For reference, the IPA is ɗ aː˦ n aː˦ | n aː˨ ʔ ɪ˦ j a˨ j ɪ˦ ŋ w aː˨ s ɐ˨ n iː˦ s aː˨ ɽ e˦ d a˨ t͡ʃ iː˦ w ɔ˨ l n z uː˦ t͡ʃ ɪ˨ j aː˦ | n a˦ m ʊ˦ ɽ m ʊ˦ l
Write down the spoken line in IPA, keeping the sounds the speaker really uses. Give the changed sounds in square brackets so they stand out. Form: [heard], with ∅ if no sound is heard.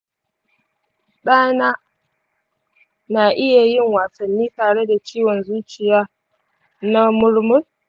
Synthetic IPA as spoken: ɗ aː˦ n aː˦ | n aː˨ ʔ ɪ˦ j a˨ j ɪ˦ ŋ w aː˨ s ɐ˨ [nː] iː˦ [t] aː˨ ɽ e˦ d a˨ t͡ʃ iː˦ w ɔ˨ [∅] n z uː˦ t͡ʃ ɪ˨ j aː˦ | n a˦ m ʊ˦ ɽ m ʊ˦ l

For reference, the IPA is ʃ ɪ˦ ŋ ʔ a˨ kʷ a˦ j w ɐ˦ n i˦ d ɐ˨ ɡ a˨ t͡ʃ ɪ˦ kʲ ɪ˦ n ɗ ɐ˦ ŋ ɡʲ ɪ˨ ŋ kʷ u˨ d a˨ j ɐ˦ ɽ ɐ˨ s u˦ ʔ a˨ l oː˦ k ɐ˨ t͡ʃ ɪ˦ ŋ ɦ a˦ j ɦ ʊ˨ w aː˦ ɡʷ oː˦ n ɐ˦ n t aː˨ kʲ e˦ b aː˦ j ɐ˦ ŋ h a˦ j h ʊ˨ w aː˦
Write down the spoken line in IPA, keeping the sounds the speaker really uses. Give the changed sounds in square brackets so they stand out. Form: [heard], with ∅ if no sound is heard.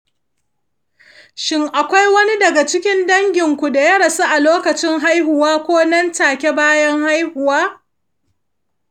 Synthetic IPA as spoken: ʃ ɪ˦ ŋ ʔ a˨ kʷ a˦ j w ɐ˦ n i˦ d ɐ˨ ɡ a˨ t͡ʃ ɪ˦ kʲ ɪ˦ n [d] ɐ˦ ŋ ɡʲ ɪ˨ ŋ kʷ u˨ d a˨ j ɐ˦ ɽ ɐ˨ s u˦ ʔ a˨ l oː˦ k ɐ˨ t͡ʃ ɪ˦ ŋ ɦ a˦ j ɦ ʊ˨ w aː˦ [kʷ] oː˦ n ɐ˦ n t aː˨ kʲ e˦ b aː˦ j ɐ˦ ŋ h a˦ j h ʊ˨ w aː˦

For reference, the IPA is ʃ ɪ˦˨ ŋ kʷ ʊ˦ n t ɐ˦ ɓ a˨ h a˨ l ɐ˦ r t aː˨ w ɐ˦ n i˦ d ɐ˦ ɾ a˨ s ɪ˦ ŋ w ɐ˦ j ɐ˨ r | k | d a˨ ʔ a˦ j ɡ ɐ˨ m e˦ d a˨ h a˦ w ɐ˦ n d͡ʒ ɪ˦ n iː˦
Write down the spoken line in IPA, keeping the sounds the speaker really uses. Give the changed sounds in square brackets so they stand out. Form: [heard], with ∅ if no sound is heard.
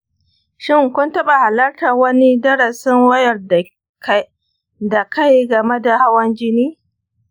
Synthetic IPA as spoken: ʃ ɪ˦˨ ŋ kʷ ʊ˦ n t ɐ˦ ɓ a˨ h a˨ l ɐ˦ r t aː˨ w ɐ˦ n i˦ d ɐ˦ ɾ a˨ s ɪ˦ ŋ w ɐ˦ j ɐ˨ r | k | d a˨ [k] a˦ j ɡ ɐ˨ m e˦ d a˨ h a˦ w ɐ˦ n d͡ʒ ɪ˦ n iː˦

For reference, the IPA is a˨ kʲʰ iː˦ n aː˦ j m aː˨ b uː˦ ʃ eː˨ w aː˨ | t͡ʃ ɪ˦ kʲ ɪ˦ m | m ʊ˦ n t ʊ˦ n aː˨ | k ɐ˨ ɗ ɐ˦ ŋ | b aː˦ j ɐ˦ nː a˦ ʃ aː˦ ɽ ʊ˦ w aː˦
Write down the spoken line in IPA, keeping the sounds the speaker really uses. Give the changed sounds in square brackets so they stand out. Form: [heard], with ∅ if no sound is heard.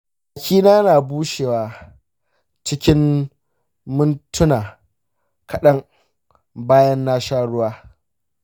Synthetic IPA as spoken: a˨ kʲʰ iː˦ n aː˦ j [n] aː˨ b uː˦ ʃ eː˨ w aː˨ | t͡ʃ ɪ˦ kʲ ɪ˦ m | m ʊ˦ n t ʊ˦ n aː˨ | k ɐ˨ ɗ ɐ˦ ŋ | b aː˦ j ɐ˦ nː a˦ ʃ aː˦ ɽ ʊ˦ w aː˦

